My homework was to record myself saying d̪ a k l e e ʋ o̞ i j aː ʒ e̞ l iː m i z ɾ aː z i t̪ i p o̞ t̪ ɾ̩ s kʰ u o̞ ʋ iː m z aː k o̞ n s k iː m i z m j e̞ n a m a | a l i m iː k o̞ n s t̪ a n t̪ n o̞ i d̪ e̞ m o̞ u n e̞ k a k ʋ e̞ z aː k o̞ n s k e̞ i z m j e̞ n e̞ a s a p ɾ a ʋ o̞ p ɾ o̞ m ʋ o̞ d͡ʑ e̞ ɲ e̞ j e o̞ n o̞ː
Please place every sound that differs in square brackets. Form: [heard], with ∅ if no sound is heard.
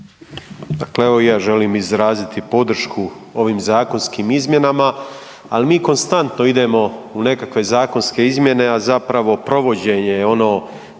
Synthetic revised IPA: d̪ a k l e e ʋ o̞ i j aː ʒ e̞ l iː m i z ɾ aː z i t̪ i p o̞ [d̪] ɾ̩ [ʃ] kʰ u o̞ ʋ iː m z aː k o̞ n s k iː m i z m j e̞ n a m a | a l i m iː k o̞ n s t̪ a n t̪ n o̞ i d̪ e̞ m o̞ u n e̞ k a k ʋ e̞ z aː k o̞ n s k e̞ i z m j e̞ n e̞ a [z] a p ɾ a ʋ o̞ p ɾ o̞ [∅] ʋ o̞ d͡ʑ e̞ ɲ e̞ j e o̞ n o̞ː